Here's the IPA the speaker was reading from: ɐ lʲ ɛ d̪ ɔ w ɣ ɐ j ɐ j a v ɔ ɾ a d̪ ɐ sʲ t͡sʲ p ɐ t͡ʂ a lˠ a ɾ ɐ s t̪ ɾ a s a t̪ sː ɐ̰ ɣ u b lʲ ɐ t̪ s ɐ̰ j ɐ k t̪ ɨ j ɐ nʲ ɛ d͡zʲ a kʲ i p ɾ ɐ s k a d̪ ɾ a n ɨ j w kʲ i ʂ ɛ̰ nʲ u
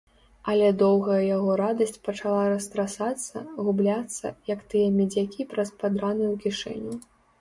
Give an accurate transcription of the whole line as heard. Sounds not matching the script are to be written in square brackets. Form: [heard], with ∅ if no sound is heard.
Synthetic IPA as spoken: ɐ lʲ ɛ d̪ ɔ w ɣ ɐ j ɐ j a [ɣ] ɔ ɾ a d̪ ɐ sʲ t͡sʲ p ɐ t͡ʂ a lˠ a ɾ ɐ s t̪ ɾ a s a t̪ sː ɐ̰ ɣ u b lʲ [a] t̪ [sː] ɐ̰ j ɐ k t̪ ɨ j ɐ [mʲ] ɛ d͡zʲ a kʲ i p ɾ ɐ s [p] a d̪ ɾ a n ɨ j w kʲ i ʂ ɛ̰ nʲ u